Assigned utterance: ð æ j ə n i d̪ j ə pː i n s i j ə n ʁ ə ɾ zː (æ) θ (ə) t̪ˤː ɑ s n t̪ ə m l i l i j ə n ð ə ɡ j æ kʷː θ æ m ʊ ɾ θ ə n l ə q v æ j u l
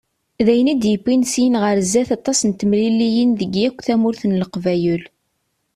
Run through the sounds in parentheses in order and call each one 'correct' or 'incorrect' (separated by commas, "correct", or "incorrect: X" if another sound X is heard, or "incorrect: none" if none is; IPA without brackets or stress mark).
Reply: correct, incorrect: ɑ